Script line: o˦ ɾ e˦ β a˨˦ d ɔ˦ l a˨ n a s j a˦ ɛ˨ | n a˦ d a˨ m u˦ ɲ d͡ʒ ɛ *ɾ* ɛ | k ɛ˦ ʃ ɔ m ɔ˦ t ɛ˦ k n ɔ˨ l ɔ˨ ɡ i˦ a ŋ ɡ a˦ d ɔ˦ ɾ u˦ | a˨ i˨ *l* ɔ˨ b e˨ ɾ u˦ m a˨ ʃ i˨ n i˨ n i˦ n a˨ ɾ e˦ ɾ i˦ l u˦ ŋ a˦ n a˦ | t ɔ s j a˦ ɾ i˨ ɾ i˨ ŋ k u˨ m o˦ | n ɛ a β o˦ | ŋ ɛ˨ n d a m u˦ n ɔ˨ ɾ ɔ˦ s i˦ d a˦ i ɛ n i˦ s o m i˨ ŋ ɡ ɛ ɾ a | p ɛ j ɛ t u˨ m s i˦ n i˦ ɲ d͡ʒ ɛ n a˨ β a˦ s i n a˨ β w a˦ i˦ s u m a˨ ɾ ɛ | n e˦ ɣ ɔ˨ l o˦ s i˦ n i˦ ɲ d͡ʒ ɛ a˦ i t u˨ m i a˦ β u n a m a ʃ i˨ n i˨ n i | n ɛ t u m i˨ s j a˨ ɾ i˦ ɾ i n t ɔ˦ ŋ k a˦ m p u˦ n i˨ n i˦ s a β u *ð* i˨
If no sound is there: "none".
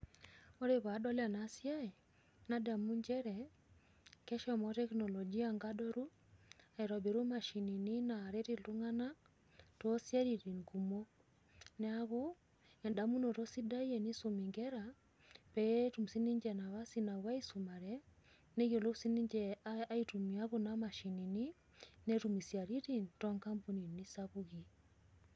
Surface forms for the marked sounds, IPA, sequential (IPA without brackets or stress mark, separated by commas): ɾ, ɾ, ɣ